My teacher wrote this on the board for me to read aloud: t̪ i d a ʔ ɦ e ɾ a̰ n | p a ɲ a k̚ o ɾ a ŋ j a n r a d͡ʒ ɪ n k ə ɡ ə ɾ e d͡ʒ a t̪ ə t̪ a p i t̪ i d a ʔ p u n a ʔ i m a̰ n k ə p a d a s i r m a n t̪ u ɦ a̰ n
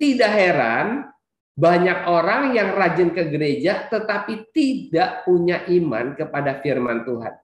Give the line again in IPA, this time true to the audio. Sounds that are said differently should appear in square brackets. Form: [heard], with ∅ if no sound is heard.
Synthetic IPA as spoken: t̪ i d a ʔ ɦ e ɾ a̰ n | [b] a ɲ a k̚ o ɾ a ŋ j a [ŋ] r a d͡ʒ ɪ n k ə ɡ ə ɾ e d͡ʒ a t̪ ə t̪ a p i t̪ i d a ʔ p u [ɲ] a ʔ i m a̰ n k ə p a d a [f] i r m a n t̪ u ɦ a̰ n